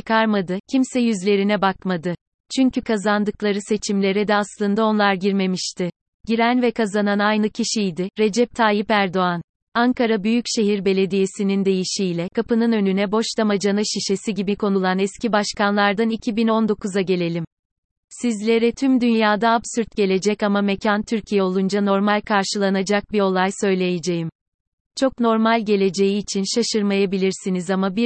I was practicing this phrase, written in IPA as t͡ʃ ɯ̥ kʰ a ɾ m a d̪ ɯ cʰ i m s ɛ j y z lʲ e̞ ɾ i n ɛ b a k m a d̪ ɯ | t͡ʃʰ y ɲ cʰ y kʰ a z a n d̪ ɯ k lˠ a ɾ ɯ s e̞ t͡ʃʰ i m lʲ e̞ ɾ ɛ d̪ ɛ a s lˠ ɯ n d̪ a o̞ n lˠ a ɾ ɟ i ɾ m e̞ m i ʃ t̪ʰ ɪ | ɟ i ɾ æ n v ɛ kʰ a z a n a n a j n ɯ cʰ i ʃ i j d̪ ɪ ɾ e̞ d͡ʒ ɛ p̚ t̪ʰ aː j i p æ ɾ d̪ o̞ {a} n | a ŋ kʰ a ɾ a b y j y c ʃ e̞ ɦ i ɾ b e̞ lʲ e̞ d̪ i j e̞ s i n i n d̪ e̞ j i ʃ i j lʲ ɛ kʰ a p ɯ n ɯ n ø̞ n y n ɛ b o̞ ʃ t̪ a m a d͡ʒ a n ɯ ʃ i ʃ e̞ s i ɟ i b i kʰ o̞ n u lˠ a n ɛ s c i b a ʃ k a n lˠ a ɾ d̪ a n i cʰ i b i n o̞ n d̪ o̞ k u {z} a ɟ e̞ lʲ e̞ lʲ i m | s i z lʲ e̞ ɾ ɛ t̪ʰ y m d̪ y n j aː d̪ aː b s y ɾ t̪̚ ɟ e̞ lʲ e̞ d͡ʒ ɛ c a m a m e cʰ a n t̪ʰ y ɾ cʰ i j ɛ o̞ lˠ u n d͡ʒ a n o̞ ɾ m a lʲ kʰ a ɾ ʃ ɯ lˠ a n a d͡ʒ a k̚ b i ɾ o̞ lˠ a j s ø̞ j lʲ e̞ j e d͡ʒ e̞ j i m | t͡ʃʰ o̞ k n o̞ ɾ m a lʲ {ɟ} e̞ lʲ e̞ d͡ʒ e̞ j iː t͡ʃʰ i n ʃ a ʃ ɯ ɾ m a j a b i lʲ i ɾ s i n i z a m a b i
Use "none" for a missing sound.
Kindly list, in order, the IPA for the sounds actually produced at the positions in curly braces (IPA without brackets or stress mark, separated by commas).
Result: a, z, ɟ